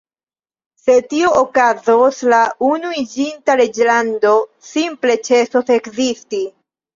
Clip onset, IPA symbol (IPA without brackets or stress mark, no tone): s